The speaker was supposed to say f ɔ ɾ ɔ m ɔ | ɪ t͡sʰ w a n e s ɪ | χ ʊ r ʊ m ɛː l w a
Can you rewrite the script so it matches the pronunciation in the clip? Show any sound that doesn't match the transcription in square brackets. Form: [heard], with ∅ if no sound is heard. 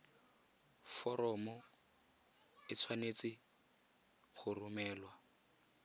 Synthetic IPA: f ɔ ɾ ɔ m ɔ | ɪ t͡sʰ w a n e [t͡s] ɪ | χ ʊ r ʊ m ɛː l w a